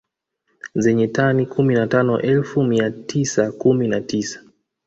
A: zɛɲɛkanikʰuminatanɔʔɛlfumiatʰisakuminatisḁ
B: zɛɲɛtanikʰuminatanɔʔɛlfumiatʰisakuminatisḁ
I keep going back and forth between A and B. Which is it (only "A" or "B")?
B